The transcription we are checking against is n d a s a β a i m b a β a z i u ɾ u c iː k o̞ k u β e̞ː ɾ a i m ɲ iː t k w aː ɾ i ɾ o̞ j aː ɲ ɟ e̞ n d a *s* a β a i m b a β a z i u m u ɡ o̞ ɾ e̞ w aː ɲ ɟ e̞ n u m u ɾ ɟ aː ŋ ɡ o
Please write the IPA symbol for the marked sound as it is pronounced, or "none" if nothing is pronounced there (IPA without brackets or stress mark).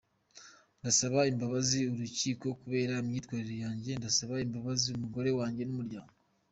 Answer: s